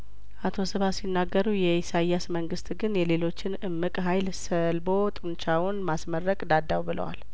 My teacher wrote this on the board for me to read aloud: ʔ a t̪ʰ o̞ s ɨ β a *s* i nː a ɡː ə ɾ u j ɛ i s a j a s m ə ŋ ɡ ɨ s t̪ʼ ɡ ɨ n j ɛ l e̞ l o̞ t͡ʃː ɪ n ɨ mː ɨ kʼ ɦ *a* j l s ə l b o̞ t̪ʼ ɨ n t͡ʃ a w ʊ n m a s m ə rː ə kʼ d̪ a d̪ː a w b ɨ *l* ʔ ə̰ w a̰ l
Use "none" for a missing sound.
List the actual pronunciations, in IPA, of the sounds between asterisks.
s, a, l

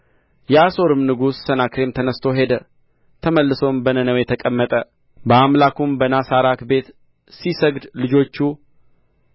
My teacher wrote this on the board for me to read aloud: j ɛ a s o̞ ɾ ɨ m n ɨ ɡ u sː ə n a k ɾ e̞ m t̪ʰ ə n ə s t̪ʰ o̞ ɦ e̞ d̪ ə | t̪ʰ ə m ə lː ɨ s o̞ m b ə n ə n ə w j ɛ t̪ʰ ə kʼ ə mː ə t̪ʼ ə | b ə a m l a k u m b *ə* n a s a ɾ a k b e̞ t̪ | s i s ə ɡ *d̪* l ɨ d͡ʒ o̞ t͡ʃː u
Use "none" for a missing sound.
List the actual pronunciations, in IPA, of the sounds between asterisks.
ə, d̪

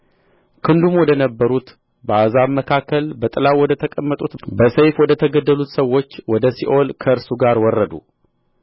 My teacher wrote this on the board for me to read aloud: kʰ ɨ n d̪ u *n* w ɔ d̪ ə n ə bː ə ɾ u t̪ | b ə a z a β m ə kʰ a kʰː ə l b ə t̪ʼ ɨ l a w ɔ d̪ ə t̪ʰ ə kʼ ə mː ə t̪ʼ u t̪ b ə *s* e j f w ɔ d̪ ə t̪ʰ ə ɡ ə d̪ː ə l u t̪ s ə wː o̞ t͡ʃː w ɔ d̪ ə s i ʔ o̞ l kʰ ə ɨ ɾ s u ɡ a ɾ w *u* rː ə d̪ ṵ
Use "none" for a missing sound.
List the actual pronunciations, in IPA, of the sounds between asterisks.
m, s, ɔ

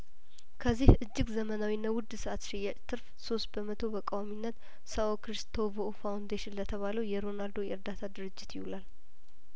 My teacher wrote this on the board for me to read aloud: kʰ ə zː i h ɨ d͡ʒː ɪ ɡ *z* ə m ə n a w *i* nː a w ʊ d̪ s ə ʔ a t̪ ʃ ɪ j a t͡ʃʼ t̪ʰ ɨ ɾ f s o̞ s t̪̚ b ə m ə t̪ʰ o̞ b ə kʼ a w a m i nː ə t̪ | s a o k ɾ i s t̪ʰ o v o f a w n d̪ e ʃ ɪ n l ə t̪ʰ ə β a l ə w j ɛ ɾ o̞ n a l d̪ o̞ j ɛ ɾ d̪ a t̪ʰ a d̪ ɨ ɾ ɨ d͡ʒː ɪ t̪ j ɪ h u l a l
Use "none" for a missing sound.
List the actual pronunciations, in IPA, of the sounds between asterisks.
z, i

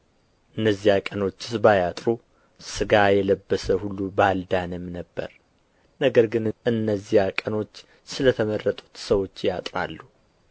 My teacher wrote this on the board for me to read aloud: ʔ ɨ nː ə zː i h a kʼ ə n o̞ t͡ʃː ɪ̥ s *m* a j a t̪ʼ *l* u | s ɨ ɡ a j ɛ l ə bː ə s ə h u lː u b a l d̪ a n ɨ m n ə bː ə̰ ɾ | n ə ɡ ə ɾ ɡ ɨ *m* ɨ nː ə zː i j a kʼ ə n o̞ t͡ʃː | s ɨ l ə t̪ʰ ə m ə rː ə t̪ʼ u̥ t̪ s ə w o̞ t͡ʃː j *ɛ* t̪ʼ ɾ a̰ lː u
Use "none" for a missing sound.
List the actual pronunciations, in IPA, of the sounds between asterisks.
b, ɾ, n, a

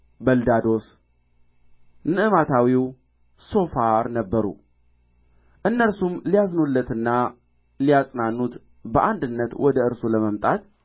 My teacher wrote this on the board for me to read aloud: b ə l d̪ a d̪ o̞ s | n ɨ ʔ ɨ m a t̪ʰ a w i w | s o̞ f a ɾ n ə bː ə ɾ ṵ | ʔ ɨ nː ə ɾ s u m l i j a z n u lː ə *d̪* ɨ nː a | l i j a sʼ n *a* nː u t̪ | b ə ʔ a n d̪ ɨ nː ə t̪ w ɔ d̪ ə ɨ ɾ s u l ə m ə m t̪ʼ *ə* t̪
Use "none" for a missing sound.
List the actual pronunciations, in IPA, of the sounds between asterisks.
t̪, a, a

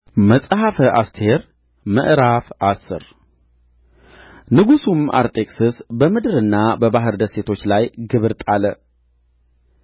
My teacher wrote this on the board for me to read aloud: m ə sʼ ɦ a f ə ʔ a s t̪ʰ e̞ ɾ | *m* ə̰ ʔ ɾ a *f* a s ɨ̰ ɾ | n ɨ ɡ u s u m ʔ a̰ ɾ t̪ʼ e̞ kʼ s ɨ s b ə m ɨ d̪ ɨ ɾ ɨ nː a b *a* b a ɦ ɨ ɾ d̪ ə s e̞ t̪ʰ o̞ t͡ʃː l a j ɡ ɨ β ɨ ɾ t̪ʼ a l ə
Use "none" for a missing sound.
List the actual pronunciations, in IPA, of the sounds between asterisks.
m, f, ə

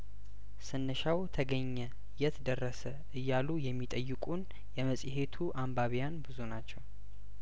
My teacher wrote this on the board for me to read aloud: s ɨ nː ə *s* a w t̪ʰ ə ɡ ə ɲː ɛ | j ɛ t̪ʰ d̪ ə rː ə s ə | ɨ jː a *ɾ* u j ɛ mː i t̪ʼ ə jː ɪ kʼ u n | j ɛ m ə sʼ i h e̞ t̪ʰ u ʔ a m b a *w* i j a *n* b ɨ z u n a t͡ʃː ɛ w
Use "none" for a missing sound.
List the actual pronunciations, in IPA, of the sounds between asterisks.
ʃ, l, β, n

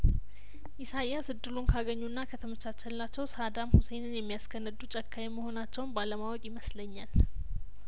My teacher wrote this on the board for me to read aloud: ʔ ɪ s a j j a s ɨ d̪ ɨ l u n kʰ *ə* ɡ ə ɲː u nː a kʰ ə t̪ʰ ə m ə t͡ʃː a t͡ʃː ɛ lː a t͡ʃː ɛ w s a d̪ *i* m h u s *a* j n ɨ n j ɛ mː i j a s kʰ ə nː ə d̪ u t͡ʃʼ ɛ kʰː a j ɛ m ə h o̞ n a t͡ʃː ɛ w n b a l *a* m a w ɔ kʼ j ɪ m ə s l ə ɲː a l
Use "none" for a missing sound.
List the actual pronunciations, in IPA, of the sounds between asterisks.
a, a, e, ə

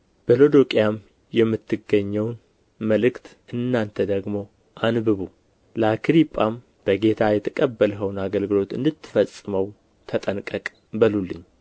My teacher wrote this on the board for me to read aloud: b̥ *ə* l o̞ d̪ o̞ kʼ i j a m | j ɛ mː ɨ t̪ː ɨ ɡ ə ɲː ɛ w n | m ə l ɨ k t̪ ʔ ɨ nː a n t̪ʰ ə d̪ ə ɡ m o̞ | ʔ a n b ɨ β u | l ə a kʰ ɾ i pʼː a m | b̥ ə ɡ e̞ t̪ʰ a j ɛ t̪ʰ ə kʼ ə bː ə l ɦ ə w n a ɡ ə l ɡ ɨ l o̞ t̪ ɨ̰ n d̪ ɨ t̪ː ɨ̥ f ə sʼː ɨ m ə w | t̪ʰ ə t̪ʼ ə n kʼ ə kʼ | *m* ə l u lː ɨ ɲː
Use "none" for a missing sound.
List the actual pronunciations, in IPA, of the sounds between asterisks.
ə, b

